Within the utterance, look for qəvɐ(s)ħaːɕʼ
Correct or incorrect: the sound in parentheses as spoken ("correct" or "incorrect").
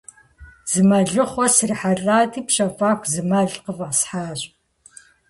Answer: correct